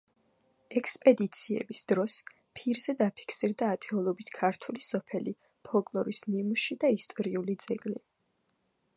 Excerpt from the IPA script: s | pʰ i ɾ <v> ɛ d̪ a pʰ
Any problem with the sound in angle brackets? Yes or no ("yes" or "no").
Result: yes